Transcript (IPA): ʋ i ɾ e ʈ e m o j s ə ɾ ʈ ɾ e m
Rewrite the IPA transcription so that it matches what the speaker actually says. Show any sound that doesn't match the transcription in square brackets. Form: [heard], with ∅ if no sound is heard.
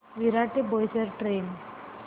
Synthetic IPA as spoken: ʋ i ɾ [a] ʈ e [b] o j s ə ɾ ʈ ɾ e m